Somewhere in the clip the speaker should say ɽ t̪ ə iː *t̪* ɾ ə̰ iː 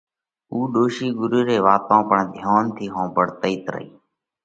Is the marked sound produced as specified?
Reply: yes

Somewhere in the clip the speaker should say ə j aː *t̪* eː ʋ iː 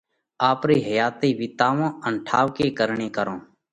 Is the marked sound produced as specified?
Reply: yes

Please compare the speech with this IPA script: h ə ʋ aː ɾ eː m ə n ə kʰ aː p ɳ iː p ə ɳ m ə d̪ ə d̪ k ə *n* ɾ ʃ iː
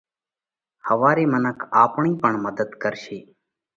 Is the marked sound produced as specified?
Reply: no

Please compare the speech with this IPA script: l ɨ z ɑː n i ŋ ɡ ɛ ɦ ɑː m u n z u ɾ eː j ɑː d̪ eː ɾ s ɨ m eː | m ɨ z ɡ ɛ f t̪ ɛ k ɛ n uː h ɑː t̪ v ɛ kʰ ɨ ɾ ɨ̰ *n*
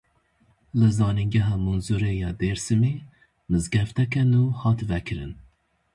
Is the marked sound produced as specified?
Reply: yes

